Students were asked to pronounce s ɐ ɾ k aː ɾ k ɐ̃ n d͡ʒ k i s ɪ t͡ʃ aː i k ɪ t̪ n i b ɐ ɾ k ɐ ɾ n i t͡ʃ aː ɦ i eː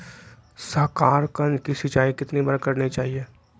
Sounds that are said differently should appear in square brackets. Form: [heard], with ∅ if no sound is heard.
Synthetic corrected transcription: s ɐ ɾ k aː ɾ k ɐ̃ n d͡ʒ k i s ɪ t͡ʃ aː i k ɪ t̪ n i b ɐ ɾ k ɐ ɾ n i t͡ʃ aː ɦ i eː